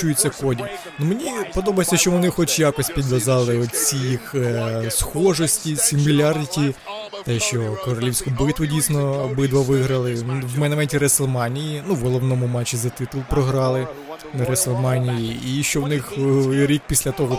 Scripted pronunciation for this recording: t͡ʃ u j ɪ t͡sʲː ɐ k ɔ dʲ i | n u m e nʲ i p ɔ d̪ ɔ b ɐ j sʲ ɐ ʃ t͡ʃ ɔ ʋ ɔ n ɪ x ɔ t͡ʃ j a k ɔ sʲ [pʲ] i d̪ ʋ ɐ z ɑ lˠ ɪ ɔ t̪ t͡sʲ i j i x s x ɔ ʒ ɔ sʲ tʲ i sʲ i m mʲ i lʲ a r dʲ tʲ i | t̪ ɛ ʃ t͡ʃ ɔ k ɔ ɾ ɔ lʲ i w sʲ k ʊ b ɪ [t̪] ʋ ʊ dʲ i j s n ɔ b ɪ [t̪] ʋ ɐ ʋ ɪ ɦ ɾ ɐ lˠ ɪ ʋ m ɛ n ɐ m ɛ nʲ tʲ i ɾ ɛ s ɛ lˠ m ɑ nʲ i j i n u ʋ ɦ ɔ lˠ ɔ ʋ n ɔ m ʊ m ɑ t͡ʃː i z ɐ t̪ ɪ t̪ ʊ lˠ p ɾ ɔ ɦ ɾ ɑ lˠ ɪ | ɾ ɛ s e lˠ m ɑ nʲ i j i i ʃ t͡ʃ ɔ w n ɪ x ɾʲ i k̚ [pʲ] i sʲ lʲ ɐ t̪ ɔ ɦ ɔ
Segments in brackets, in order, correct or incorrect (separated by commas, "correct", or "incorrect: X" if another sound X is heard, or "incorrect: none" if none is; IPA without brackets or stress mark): correct, correct, incorrect: d̪, correct